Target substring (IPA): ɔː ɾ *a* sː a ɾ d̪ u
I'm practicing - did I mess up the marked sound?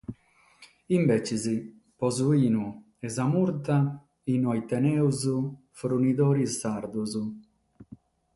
yes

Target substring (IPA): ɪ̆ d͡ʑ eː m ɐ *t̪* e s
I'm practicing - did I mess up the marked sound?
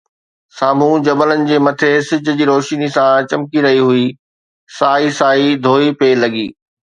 yes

